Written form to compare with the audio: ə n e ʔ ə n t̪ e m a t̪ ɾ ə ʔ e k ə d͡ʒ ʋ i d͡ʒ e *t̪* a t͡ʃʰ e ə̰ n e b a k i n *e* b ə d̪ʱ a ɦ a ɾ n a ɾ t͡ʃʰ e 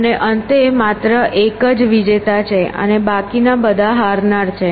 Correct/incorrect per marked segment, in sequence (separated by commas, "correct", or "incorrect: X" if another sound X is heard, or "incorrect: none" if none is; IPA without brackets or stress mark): correct, incorrect: a